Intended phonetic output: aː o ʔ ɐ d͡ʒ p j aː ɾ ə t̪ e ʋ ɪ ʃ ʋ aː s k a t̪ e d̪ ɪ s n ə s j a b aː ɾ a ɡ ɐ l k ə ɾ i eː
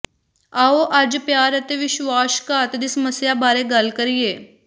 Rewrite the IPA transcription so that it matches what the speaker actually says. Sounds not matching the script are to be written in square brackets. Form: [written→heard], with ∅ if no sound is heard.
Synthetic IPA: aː o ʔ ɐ d͡ʒ p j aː ɾ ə t̪ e ʋ ɪ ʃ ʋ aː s k a t̪ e d̪ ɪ s [n→m] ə s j a b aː ɾ [a→e] ɡ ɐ l k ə ɾ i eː